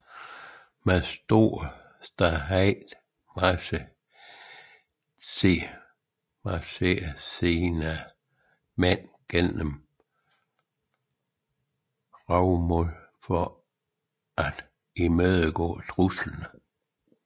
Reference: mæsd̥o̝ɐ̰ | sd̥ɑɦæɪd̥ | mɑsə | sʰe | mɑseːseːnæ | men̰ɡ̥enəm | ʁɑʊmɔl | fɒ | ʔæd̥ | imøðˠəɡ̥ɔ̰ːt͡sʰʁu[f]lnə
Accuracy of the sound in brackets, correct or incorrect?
incorrect